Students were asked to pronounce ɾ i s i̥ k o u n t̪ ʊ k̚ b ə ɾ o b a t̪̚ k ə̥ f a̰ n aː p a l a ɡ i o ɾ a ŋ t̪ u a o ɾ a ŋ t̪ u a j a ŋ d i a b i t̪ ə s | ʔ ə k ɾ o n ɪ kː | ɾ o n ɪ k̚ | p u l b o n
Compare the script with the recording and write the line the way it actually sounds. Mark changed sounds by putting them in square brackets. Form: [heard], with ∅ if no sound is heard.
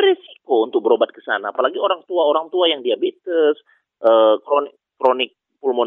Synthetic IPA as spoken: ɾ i s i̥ k o u n t̪ ʊ k̚ b ə ɾ o b a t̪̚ k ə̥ [s] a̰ n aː p a l a ɡ i o ɾ a ŋ t̪ u a o ɾ a ŋ t̪ u a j a ŋ d i a b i t̪ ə s | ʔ ə k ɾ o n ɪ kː | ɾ o n ɪ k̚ | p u l [m] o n